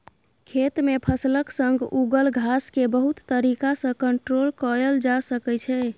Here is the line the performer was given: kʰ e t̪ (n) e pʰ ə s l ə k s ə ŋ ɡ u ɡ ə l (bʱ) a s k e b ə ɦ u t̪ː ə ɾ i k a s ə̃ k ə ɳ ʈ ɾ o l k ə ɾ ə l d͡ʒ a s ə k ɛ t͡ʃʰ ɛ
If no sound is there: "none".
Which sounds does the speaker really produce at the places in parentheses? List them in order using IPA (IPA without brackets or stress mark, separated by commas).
m, ɡʱ